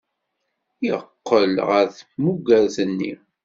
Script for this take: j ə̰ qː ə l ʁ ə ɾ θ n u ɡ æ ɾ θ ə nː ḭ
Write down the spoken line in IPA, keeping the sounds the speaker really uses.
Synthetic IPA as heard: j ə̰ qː ə l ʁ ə ɾ θ m u ɡ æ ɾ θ ə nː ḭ